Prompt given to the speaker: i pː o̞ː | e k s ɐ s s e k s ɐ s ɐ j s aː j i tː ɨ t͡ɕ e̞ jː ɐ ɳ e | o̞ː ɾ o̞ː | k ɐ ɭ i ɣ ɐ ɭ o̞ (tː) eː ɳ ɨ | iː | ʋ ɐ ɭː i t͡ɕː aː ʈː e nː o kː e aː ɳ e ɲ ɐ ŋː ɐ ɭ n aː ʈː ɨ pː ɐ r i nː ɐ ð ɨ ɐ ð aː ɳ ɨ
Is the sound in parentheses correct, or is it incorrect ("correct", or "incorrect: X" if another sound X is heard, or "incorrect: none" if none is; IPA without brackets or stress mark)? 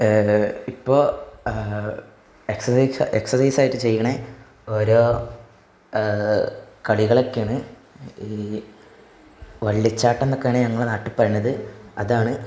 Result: incorrect: kː